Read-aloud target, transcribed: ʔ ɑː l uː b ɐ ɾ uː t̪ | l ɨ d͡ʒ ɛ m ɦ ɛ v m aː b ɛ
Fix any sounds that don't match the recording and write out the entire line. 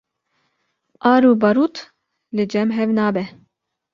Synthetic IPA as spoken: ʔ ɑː ɾ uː b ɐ ɾ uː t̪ | l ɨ d͡ʒ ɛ m ɦ ɛ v n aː b ɛ